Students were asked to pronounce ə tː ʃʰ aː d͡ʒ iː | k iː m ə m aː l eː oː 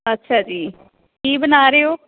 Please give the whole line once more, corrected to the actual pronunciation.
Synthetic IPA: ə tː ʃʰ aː d͡ʒ iː | k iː b ə n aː ɾ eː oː